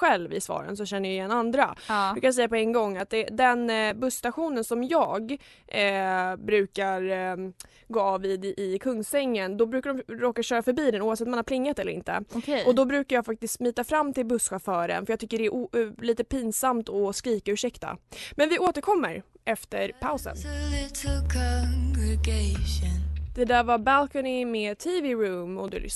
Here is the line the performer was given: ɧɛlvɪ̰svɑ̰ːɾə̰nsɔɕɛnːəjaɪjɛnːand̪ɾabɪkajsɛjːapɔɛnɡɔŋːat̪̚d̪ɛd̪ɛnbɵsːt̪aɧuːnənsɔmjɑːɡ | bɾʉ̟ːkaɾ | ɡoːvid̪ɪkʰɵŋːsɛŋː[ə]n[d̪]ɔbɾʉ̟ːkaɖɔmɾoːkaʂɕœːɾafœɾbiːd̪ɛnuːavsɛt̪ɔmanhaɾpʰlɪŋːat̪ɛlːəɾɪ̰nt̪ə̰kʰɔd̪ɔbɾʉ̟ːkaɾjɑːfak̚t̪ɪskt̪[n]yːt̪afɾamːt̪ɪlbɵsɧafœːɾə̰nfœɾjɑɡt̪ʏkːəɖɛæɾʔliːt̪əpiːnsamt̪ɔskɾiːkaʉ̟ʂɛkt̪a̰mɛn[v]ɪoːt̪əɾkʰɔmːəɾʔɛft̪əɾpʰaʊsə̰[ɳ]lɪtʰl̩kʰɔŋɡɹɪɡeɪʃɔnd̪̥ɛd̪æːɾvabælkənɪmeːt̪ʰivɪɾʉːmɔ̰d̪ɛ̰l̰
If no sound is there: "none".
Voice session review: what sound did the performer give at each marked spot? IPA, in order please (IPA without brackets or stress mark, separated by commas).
ə, d̪, m, v, n